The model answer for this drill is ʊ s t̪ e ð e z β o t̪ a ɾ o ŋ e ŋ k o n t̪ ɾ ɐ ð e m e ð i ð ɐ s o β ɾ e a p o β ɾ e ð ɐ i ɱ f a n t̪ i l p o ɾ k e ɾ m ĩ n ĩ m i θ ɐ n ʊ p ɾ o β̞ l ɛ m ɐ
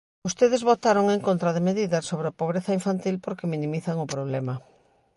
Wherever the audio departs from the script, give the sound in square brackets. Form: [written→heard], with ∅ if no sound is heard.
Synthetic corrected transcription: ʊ s t̪ e ð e z β o t̪ a ɾ o ŋ e ŋ k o n t̪ ɾ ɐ ð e m e ð i ð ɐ s o β ɾ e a p o β ɾ e [ð→θ] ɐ i ɱ f a n t̪ i l p o ɾ k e [ɾ→∅] m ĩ n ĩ m i θ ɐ [n→ŋ] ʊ p ɾ o β̞ l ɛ m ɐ